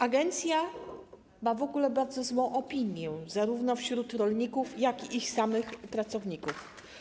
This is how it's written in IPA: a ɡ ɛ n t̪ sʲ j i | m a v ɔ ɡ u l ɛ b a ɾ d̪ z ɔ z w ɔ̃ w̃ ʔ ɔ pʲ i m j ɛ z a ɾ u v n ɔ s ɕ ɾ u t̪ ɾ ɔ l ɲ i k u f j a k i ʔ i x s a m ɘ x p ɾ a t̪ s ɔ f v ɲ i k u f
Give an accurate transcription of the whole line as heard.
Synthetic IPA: a ɡ ɛ n t̪ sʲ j a | m a v ɔ ɡ u l ɛ b a ɾ d̪ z ɔ z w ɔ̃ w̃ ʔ ɔ pʲ i ɲ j ɛ z a ɾ u v n ɔ f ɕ ɾ u t̪ ɾ ɔ l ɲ i k u f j a k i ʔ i x s a m ɘ x p ɾ a t̪ s ɔ v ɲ i k u f

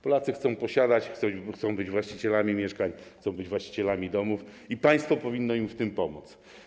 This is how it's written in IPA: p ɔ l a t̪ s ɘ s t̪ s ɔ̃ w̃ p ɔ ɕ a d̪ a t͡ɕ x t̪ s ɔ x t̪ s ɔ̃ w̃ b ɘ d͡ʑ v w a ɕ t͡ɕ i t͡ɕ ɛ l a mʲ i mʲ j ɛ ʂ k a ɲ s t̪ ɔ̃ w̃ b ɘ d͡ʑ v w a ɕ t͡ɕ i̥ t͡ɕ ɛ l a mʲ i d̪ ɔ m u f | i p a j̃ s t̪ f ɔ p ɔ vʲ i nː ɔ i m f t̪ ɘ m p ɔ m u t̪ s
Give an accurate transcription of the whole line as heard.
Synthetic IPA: p ɔ l a t̪ s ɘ x t̪ s ɔ̃ w̃ p ɔ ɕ a d̪ a t͡ɕ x t̪ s ɔ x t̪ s ɔ̃ w̃ b ɘ d͡ʑ v w a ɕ t͡ɕ i t͡ɕ ɛ l a mʲ i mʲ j ɛ ʂ k a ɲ x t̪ ɔ̃ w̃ b ɘ d͡ʑ v w a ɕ t͡ɕ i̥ t͡ɕ ɛ l a mʲ i d̪ ɔ m u f | i p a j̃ s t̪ f ɔ p ɔ vʲ i nː ɔ i m f t̪ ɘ m p ɔ m u t̪ s

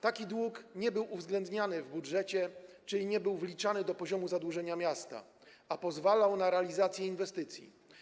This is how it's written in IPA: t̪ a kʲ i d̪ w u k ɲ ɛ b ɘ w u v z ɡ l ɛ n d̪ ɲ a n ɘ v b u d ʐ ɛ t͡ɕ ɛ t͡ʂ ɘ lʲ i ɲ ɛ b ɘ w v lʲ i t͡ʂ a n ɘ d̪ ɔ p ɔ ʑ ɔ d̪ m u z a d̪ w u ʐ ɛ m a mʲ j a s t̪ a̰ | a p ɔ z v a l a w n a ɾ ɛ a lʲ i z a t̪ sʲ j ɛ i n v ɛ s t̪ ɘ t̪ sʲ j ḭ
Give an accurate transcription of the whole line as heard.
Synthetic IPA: t̪ a kʲ i d̪ w u k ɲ ɛ b ɘ w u v z ɡ l ɛ n d̪ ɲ a n ɘ v b u d ʐ ɛ t͡ɕ ɛ t͡ʂ ɘ lʲ i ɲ ɛ b ɘ w v lʲ i t͡ʂ a n ɘ d̪ ɔ p ɔ ʑ ɔ m u z a d̪ w u ʐ ɛ ɲ a mʲ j a s t̪ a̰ | a p ɔ z v a l a w n a ɾ ɛ a lʲ i z a t̪ sʲ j ɛ i n v ɛ s t̪ ɘ t̪ sʲ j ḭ

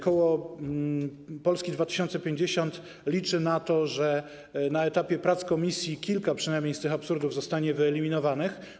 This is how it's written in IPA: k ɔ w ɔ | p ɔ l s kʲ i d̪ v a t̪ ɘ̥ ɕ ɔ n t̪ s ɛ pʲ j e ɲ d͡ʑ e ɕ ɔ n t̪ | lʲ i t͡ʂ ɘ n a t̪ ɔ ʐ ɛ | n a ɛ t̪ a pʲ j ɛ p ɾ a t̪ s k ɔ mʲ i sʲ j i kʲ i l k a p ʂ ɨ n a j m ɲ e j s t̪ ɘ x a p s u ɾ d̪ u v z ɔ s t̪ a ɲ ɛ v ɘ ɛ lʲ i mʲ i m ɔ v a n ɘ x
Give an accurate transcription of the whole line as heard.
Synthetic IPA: k ɔ w ɔ | p ɔ l s kʲ i d̪ v a t̪ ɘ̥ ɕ ɔ n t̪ s ɛ pʲ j e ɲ d͡ʑ e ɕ ɔ n t̪ | lʲ i t͡ʂ ɘ n a t̪ ɔ ʐ ɛ | n a ɛ t̪ a pʲ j ɛ p ɾ a t̪ s k ɔ mʲ i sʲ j i kʲ i l k a p ʂ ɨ n a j m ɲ e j s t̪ ɘ x a p s u ɾ d̪ u v z ɔ s t̪ a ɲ ɛ v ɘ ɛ lʲ i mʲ i n ɔ v a n ɘ x

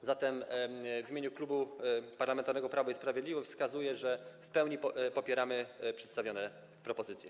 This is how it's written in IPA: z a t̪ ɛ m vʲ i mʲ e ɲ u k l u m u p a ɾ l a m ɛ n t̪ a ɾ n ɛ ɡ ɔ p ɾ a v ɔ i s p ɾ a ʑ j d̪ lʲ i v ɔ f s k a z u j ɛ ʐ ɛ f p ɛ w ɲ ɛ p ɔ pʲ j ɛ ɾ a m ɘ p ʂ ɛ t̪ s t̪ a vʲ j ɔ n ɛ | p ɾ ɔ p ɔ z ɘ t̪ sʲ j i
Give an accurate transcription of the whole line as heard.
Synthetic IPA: z a t̪ ɛ m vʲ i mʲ e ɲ u k l u b u p a ɾ l a m ɛ n t̪ a ɾ n ɛ ɡ ɔ p ɾ a v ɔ i s p ɾ a v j d̪ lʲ i v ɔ f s k a z u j ɛ ʐ ɛ f p ɛ w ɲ i p ɔ pʲ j ɛ ɾ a m ɘ p ʂ ɛ t̪ s t̪ a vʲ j ɔ n ɛ | p ɾ ɔ p ɔ z ɘ t̪ sʲ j ɛ

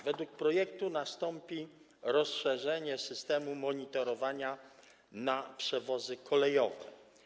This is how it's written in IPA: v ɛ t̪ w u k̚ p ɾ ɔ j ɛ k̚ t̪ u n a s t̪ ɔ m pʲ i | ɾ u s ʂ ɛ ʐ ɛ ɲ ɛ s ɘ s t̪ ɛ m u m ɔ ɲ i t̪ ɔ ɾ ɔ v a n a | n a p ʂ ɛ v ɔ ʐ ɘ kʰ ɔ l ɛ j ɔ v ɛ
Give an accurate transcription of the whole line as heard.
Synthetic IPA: v ɛ d̪ w u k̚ p ɾ ɔ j ɛ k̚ t̪ u n a s t̪ ɔ m pʲ i | ɾ ɔ s ʂ ɛ ʐ ɛ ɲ ɛ s ɘ s t̪ ɛ m u m ɔ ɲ i t̪ ɔ ɾ ɔ v a ɲ a | n a p ʂ ɛ v ɔ z ɘ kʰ ɔ l ɛ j ɔ v ɛ

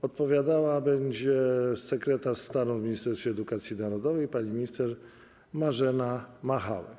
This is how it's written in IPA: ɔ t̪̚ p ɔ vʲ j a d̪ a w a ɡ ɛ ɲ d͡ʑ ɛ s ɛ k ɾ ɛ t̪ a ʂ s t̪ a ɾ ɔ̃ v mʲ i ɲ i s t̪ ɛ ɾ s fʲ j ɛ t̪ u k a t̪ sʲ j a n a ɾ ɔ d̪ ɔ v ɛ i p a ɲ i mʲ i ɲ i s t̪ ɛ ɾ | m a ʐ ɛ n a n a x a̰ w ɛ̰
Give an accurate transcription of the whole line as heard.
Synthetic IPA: ɔ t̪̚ p ɔ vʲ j a d̪ a w a b ɛ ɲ d͡ʑ ɛ s ɛ k ɾ ɛ t̪ a ʂ s t̪ a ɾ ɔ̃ v mʲ i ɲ i s t̪ ɛ ɾ s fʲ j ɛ d̪ u k a t̪ sʲ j i n a ɾ ɔ d̪ ɔ v ɛ j p a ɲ i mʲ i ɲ i s t̪ ɛ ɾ | m a ʐ ɛ n a m a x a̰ w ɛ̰

